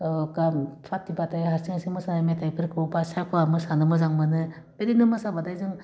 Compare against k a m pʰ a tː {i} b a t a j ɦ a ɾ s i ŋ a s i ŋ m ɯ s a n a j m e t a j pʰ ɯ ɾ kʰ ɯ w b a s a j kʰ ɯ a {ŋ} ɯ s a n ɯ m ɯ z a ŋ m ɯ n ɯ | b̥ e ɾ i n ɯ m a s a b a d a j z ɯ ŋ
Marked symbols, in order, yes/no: yes, no

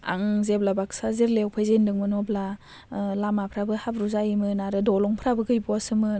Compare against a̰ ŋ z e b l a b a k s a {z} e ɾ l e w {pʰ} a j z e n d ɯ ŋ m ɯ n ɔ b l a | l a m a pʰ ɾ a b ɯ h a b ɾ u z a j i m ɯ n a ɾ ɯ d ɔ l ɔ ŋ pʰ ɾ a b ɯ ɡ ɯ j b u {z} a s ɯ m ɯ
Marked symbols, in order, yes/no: yes, yes, no

